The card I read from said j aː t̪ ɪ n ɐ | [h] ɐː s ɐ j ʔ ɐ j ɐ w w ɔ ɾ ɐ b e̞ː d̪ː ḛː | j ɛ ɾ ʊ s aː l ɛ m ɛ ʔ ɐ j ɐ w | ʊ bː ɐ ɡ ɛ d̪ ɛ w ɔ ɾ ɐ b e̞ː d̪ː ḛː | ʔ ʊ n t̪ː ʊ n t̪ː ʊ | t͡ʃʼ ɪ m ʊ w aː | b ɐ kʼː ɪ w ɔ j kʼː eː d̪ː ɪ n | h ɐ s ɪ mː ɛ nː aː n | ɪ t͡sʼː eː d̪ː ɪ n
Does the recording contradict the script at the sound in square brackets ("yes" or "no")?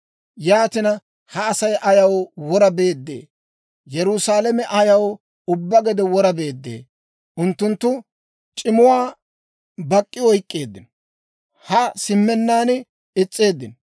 no